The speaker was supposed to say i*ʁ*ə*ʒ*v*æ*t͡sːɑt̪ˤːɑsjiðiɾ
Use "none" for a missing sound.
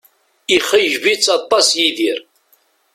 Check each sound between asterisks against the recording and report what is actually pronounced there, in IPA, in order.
χ, ʒ, i

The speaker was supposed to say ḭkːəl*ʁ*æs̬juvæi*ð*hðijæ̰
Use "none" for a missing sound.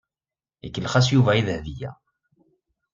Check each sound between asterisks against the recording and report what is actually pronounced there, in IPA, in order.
χ, ð

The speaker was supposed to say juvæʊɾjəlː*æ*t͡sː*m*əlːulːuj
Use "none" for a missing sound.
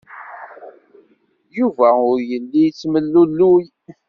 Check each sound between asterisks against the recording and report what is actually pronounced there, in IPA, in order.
i, m

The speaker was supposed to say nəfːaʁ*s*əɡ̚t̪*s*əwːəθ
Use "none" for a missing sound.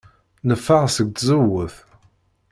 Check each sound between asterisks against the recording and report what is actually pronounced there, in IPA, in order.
s, z

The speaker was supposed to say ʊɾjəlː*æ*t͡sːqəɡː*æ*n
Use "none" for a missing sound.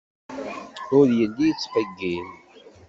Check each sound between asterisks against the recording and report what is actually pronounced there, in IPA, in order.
i, i

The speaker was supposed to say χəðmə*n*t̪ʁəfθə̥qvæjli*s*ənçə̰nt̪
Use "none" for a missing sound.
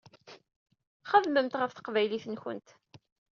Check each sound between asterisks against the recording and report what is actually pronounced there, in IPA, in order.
m, θ

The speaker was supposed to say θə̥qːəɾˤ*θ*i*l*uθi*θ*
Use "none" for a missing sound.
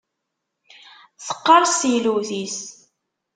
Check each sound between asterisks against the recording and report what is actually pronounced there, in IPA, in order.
s, l, s

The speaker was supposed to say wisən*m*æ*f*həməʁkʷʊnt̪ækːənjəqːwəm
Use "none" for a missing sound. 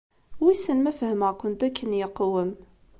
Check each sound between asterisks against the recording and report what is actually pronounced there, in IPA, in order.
m, f

